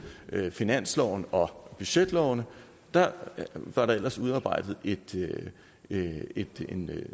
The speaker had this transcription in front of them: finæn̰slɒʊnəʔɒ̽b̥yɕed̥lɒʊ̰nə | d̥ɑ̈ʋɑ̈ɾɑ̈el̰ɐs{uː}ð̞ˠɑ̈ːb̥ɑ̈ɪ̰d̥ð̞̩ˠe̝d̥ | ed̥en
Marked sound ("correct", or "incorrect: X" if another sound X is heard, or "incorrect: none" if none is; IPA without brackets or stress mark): incorrect: u